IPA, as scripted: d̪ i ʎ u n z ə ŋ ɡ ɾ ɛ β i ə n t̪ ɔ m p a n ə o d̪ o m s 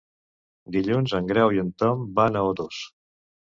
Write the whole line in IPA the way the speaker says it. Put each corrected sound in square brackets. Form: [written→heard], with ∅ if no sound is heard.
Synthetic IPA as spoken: d̪ i ʎ u n z ə ŋ ɡ ɾ ɛ [β→w] i ə n t̪ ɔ m [p→b] a n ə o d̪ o [m→∅] s